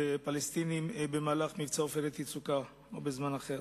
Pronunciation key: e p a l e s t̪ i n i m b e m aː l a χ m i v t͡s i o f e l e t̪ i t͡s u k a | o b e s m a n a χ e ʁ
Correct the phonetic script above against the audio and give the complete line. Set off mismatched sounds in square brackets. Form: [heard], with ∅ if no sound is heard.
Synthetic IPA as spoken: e p a l e s t̪ i n i m b e m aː l a χ m i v t͡s [a] o f e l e t̪ i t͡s u k a | o b e [z] m a n a χ e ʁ